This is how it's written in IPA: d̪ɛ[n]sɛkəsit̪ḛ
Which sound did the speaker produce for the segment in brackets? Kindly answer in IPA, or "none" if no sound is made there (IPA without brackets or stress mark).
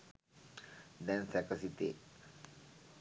n